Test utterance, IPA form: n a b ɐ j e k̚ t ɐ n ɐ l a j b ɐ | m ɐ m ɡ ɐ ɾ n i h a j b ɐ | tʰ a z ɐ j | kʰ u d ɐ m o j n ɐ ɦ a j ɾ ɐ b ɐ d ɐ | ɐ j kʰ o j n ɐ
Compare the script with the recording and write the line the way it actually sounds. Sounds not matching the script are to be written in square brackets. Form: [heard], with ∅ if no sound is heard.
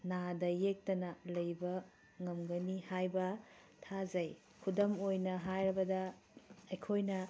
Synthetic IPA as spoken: n a [d] ɐ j e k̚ t ɐ n ɐ l [ɐ] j b ɐ | [ŋ] ɐ m ɡ ɐ [∅] n i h a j b ɐ | tʰ a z ɐ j | kʰ u d ɐ m o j n ɐ ɦ a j ɾ ɐ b ɐ d ɐ | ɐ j kʰ o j n ɐ